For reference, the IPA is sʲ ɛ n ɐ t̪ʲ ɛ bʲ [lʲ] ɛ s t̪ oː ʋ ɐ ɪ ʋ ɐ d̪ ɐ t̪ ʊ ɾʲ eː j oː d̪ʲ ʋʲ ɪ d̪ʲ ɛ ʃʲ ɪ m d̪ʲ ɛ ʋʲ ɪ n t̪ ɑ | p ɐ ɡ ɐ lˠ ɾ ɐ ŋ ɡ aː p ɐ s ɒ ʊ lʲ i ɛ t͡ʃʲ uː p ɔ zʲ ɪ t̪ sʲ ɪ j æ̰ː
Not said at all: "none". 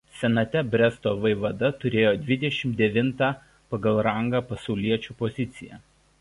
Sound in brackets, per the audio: ɾʲ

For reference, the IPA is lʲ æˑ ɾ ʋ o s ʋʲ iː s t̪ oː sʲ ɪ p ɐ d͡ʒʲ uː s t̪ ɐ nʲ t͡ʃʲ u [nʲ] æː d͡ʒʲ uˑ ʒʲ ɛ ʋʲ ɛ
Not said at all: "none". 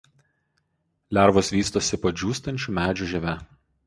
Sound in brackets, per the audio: mʲ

